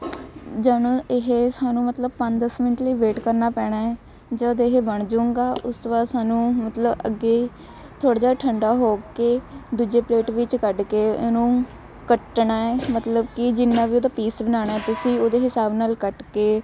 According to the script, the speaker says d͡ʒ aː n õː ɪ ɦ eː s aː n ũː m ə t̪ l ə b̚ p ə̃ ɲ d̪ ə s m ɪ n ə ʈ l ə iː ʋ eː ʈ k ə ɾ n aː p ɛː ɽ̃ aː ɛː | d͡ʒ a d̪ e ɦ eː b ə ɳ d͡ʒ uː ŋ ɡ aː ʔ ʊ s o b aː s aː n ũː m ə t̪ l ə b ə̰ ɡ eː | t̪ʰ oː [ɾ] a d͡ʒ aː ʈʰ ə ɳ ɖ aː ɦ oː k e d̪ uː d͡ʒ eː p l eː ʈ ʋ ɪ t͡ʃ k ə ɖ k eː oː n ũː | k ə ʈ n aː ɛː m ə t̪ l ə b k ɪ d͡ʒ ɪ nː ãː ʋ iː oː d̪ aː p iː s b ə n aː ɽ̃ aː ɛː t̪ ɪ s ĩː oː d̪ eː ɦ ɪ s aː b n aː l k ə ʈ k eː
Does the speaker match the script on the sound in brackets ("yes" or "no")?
no